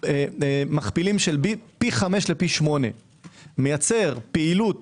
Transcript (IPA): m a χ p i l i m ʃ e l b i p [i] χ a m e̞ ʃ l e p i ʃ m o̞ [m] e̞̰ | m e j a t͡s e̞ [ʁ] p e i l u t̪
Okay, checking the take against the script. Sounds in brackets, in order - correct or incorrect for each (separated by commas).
correct, incorrect, correct